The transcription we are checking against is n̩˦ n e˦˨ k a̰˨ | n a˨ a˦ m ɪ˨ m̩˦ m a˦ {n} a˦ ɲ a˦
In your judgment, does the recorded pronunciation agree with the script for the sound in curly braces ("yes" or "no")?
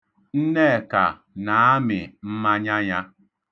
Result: no